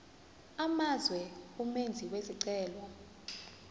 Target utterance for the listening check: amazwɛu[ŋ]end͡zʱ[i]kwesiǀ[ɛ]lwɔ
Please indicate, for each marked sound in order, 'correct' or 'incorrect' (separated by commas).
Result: incorrect, correct, incorrect